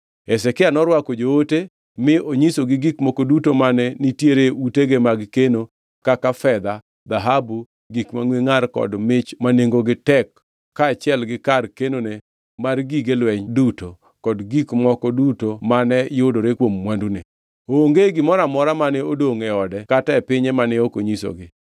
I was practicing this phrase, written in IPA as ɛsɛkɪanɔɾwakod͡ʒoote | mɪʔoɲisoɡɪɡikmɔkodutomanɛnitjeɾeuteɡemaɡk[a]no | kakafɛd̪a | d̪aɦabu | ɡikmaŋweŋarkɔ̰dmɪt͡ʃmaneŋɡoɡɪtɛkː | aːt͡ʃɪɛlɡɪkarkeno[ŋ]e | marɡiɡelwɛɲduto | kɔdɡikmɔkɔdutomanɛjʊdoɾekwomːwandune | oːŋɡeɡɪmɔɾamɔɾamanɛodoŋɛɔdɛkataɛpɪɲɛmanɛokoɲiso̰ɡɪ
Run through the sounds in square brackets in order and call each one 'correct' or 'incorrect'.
incorrect: e, incorrect: n

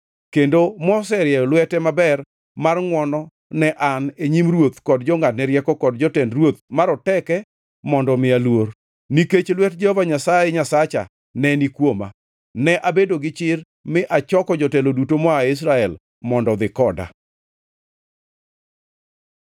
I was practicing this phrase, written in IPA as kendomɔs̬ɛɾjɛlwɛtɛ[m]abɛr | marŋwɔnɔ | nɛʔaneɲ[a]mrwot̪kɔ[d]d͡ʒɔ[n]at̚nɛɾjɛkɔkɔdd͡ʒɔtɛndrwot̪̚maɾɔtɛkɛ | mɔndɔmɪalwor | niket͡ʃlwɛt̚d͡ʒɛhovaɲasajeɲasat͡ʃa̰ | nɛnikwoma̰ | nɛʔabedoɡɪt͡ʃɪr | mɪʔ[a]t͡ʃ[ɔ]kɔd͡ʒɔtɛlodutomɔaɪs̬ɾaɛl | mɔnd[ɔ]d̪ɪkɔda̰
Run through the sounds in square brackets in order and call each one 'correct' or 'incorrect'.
correct, incorrect: i, correct, incorrect: ŋ, correct, correct, correct

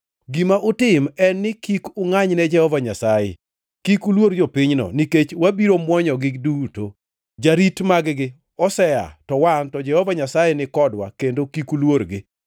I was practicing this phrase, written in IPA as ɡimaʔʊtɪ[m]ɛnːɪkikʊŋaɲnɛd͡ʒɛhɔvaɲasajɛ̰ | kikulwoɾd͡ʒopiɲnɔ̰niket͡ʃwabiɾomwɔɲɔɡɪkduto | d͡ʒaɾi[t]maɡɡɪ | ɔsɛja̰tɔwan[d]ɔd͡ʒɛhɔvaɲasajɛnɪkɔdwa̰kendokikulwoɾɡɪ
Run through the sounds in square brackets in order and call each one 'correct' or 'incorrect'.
correct, correct, incorrect: t

